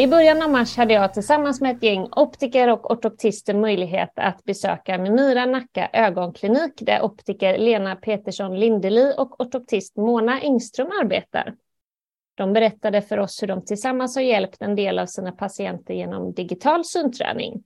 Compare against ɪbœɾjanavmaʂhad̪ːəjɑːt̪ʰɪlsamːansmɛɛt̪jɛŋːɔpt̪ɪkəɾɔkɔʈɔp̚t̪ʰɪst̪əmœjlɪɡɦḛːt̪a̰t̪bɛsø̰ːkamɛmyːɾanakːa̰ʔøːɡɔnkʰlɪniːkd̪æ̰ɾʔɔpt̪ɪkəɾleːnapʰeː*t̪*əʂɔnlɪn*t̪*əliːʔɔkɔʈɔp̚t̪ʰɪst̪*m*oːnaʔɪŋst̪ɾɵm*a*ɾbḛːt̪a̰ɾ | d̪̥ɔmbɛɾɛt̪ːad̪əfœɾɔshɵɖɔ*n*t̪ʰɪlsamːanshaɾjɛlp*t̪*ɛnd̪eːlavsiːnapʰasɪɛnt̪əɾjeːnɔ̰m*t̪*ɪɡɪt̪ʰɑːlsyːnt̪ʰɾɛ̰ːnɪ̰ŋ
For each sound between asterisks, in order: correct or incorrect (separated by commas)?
correct, incorrect, correct, correct, incorrect, correct, incorrect